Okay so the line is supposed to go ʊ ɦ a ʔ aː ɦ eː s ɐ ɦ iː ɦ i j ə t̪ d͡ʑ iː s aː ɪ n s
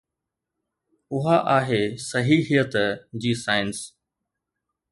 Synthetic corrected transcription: ʊ ɦ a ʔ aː ɦ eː s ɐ ɦ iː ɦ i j ə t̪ d͡ʑ iː s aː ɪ n s